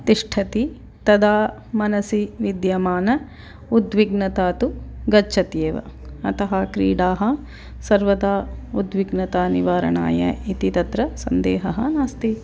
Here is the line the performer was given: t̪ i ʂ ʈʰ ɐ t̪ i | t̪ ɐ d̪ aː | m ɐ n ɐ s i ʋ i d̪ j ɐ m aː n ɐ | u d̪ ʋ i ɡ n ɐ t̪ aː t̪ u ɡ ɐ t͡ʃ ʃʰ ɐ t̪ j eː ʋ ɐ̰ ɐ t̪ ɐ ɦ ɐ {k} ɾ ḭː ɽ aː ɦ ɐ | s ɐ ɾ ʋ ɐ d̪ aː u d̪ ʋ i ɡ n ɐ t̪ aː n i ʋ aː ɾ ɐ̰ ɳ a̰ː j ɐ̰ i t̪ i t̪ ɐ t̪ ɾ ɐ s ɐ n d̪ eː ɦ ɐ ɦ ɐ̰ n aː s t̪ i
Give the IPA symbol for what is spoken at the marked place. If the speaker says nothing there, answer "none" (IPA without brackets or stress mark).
k